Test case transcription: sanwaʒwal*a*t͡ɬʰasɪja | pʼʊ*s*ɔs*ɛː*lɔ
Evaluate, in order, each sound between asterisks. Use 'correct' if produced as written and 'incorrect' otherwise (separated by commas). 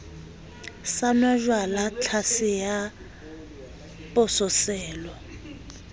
correct, correct, correct